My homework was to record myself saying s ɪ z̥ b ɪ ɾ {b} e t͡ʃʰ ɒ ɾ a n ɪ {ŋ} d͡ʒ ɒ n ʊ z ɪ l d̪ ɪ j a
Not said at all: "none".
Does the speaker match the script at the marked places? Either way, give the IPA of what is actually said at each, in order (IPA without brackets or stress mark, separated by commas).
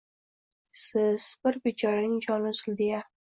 b, ŋ